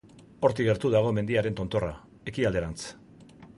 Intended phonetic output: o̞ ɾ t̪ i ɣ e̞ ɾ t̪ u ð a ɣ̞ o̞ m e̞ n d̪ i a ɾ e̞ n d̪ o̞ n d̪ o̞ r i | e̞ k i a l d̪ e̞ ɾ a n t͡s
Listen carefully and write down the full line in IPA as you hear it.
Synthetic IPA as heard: o̞ ɾ t̪ i ɣ e̞ ɾ t̪ u ð a ɣ̞ o̞ m e̞ n d̪ i a ɾ e̞ n t̪ o̞ n t̪ o̞ r a | e̞ k i a l d̪ e̞ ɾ a n t͡s